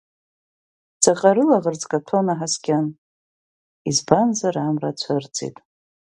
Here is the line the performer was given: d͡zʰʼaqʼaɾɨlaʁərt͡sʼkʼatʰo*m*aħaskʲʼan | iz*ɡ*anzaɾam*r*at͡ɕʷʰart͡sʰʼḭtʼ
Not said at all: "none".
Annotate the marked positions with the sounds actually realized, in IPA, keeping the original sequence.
n, b, r

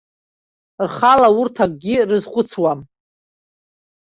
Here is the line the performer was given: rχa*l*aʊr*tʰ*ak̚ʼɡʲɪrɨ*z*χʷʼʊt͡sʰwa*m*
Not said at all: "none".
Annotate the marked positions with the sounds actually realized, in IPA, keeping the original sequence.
l, tʰ, z, m

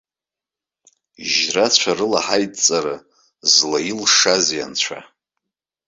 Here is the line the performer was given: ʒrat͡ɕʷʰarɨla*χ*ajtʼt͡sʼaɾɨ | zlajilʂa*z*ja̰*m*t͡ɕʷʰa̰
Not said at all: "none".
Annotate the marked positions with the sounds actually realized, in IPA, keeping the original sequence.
ħ, z, n

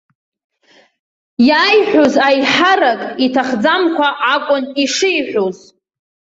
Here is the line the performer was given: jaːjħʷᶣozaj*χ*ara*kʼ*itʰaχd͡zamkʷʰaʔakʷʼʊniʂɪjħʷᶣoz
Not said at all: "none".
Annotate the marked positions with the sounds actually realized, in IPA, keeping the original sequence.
ħ, kʼ

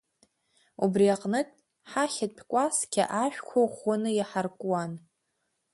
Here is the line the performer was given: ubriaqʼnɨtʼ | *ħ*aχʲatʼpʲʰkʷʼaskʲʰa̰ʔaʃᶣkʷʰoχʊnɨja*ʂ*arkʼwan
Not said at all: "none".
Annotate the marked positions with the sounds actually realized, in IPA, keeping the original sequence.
ħ, ħ

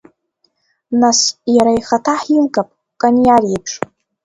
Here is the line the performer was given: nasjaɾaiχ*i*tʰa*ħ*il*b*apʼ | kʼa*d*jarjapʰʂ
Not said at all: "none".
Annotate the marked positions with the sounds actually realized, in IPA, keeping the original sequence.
a, ħ, ɡ, n

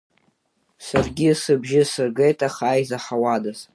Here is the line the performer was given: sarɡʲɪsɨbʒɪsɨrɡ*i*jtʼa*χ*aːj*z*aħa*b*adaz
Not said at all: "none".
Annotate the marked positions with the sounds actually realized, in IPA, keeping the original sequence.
e, χ, z, w

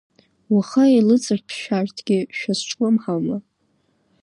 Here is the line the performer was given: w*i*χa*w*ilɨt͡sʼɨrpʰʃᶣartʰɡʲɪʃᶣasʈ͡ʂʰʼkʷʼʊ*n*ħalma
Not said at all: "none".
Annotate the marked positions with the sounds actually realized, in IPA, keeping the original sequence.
a, none, m

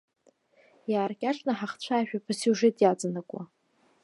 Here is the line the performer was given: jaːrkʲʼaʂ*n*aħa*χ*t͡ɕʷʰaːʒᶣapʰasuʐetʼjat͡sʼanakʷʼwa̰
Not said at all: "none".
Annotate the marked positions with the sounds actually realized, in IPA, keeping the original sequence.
n, χ

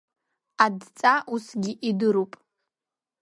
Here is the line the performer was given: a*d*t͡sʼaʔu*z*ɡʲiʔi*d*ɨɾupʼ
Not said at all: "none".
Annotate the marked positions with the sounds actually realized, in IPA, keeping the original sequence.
d, s, d

